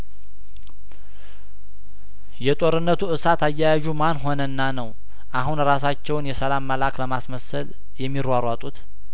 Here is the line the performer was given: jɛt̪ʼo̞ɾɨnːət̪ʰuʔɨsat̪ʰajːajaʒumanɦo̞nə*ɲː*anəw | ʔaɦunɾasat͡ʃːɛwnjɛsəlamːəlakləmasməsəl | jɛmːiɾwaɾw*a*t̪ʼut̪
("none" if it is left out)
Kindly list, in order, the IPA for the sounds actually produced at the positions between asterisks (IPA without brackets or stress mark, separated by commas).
nː, a